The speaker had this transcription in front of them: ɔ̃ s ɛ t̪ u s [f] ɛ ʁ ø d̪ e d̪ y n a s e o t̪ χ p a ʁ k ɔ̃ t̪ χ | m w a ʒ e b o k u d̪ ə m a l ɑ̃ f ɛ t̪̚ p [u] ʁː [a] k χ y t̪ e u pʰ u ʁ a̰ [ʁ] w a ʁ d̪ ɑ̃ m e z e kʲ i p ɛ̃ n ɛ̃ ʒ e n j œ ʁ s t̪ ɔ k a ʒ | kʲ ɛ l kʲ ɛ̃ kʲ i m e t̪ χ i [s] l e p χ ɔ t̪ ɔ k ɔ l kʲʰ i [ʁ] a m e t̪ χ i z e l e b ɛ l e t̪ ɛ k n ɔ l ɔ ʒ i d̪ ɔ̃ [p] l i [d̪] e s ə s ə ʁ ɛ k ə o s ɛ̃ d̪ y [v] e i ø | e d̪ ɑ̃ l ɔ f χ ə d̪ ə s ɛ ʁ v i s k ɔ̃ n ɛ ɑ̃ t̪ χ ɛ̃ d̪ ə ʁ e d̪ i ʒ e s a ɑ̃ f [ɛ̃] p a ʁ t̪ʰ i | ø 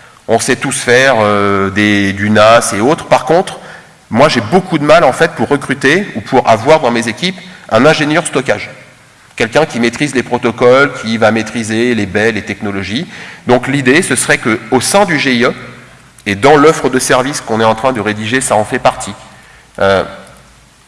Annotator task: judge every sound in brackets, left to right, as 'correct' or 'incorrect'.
correct, correct, incorrect, incorrect, incorrect, incorrect, incorrect, correct, incorrect, incorrect

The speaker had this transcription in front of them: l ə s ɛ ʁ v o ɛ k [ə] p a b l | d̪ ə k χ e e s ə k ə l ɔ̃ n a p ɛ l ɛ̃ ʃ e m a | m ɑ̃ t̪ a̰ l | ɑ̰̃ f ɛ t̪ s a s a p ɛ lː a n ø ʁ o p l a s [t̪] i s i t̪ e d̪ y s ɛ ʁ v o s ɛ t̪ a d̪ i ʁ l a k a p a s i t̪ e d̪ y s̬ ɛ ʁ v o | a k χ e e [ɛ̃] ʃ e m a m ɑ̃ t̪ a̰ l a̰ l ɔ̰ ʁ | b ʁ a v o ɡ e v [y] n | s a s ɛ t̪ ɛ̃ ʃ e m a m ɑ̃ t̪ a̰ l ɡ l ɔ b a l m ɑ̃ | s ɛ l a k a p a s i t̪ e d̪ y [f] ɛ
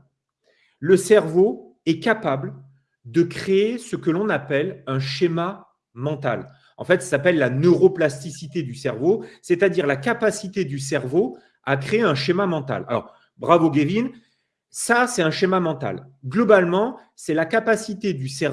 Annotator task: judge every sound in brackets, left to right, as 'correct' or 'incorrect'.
incorrect, correct, correct, incorrect, incorrect

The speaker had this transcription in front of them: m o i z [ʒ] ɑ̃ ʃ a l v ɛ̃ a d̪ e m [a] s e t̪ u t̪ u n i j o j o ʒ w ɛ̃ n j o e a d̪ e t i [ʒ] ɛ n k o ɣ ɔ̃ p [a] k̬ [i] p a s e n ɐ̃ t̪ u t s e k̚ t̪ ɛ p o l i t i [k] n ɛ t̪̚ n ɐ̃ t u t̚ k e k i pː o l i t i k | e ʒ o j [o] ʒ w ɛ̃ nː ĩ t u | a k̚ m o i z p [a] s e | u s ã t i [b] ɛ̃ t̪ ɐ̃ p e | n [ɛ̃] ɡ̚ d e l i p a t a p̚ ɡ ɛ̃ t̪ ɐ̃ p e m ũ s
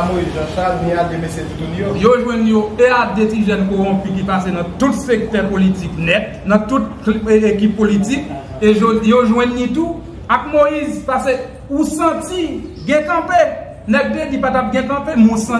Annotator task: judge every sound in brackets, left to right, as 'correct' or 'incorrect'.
correct, incorrect, correct, incorrect, correct, correct, correct, correct, incorrect, incorrect

